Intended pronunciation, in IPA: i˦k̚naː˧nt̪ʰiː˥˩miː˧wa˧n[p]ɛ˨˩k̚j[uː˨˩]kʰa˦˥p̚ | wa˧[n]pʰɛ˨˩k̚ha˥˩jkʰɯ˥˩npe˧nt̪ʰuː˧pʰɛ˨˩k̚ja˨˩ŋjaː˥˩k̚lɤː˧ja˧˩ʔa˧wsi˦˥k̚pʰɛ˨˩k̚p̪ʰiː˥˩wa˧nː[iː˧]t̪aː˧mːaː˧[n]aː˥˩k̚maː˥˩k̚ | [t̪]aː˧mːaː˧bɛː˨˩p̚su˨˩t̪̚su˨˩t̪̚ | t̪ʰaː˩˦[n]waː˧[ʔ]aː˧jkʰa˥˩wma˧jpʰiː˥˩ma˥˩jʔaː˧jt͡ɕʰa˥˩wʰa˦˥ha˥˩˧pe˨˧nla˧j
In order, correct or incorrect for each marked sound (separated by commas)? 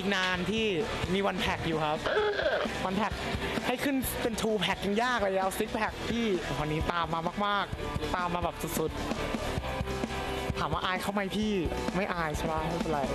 incorrect, correct, correct, incorrect, incorrect, correct, incorrect, correct